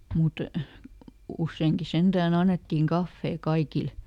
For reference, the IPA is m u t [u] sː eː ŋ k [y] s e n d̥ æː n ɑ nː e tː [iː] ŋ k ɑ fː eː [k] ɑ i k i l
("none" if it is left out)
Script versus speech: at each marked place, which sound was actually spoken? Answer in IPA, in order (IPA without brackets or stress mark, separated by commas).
u, i, iː, k